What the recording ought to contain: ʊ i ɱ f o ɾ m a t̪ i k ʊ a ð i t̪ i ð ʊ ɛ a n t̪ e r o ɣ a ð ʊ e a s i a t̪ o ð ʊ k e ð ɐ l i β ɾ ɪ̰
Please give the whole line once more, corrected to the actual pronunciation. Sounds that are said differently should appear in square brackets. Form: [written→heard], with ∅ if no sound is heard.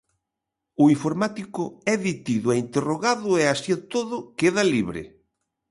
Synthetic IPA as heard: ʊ i ɱ f o ɾ m a t̪ i k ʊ [a→ɛ] ð i t̪ i ð ʊ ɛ [a→i] n t̪ e r o ɣ a ð ʊ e a s i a t̪ o ð ʊ k e ð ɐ l i β ɾ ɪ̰